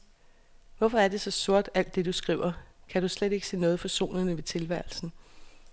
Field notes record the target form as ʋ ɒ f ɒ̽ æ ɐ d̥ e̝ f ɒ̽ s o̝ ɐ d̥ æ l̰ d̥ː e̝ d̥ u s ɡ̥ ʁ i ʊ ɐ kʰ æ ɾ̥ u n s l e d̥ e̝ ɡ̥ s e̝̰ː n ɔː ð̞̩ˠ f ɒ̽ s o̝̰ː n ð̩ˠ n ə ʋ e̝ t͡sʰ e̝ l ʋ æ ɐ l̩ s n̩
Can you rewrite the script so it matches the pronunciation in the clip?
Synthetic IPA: ʋ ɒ f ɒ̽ æ ɐ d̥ e̝ s ɒ̽ s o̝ ɐ d̥ æ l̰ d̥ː e̝ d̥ u s ɡ̥ ʁ i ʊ ɐ kʰ æ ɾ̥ u s l e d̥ e̝ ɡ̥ s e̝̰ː n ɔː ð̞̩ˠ f ɒ̽ s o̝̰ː n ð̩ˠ n ə ʋ e̝ t͡sʰ e̝ l ʋ æ ɐ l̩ s n̩